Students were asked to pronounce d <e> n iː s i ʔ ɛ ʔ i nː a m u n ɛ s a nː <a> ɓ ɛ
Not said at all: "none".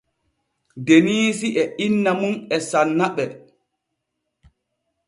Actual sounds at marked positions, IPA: e, a

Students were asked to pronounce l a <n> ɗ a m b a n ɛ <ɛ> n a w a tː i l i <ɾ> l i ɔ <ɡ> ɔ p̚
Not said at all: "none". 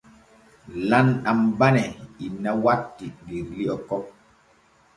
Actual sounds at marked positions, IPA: n, i, ɾ, k

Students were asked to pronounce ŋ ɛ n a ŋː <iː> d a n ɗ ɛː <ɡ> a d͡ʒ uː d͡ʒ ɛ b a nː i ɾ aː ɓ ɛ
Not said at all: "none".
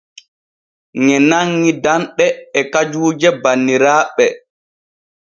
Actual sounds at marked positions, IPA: i, k

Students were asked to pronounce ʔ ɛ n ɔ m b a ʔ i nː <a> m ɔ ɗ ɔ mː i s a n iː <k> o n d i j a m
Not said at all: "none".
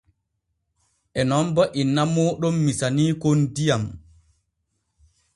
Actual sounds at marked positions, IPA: a, k

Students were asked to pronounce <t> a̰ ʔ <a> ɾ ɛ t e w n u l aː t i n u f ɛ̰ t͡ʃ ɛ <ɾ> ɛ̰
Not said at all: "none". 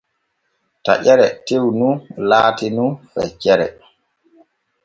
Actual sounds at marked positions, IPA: t, ɛ, ɾ

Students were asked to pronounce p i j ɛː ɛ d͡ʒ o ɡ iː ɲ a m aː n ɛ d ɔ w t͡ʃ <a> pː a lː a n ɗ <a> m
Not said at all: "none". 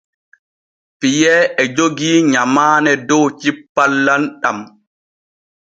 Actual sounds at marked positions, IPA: i, a

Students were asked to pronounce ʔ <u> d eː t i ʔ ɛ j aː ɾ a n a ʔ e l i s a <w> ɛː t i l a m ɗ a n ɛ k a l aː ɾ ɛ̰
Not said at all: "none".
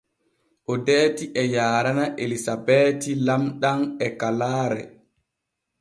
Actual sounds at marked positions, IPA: ɔ, b

